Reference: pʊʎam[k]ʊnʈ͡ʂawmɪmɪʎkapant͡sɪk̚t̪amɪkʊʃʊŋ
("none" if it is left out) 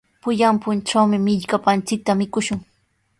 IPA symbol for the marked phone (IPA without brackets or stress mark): p